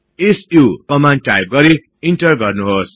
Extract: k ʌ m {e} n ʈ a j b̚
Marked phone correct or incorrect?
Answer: incorrect